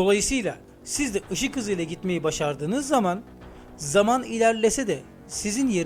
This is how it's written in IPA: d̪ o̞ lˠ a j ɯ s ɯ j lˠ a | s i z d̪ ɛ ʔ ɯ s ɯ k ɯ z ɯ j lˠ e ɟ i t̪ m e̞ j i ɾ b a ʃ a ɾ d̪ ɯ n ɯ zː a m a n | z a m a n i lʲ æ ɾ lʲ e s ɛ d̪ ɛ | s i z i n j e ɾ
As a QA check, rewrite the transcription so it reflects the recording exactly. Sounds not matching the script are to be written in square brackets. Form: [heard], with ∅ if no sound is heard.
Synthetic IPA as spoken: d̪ o̞ lˠ a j ɯ s ɯ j lˠ a | s i z d̪ ɛ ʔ ɯ [ʃ] ɯ k ɯ z ɯ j lˠ [a] ɟ i t̪ m e̞ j i [∅] b a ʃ a ɾ d̪ [ɯː] n ɯ zː a m a n | z a m a n i lʲ æ ɾ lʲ e s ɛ d̪ ɛ | s i z i n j e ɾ